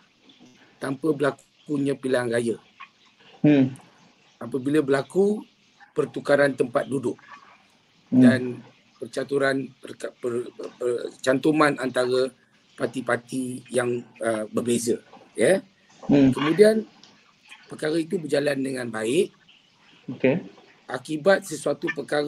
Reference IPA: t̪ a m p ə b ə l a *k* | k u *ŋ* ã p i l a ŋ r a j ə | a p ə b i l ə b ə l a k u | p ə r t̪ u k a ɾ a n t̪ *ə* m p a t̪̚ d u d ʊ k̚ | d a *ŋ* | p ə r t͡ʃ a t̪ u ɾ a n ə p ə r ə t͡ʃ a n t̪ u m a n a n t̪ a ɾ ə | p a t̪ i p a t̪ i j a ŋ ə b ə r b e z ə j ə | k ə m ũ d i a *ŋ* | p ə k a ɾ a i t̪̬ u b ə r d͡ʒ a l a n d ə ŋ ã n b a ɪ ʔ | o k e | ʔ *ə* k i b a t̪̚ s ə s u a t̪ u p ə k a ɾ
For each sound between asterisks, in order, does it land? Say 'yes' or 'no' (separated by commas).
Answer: yes, no, yes, no, no, no